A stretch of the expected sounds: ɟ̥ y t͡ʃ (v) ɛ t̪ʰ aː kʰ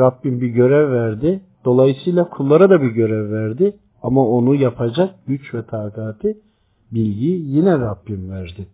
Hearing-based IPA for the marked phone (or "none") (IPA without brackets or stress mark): v